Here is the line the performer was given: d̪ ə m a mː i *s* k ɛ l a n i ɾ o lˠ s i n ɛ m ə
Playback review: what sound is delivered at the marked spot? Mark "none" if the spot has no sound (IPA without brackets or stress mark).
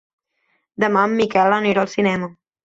none